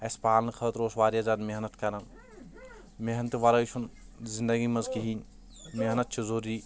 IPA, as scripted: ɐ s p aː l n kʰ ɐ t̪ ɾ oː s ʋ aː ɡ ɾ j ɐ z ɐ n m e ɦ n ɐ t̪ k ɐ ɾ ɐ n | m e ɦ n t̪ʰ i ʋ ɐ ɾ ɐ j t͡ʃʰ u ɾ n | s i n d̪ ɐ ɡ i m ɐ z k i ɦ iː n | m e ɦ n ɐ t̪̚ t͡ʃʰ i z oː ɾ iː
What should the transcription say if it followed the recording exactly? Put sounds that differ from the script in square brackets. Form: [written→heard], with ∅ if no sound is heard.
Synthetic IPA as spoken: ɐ s p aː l n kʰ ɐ t̪ ɾ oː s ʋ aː [ɡ→∅] ɾ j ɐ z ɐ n m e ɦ n ɐ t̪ k ɐ ɾ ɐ n | m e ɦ n [t̪ʰ→t̪] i ʋ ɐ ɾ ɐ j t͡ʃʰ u [ɾ→∅] n | [s→z] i n d̪ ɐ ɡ i m ɐ z k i ɦ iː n | m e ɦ n ɐ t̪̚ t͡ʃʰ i z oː ɾ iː